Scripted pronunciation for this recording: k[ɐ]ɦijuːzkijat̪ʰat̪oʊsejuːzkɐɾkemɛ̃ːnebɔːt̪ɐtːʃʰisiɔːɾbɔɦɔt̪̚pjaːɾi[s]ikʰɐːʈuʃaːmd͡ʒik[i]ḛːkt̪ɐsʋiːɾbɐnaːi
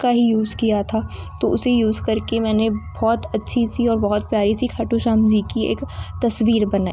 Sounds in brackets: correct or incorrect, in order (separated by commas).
incorrect, correct, correct